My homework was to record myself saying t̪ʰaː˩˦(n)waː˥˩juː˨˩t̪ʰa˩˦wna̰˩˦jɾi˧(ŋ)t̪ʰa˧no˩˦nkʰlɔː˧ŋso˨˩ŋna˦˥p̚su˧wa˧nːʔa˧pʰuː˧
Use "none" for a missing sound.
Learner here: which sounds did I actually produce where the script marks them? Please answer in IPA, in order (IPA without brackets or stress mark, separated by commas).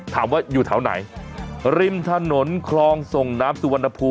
m, m